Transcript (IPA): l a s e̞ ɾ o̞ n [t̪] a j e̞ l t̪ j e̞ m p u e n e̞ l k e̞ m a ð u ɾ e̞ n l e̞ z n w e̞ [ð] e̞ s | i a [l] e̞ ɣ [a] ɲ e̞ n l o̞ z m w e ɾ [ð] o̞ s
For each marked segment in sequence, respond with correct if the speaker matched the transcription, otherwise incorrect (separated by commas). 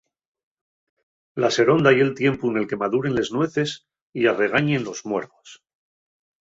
incorrect, incorrect, incorrect, correct, correct